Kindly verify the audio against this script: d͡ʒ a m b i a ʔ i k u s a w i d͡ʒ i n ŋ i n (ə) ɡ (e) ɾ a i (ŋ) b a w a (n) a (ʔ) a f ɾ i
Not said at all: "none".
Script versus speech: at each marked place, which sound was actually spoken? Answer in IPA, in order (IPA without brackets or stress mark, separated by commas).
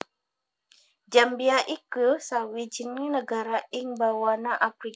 ə, a, ŋ, n, ʔ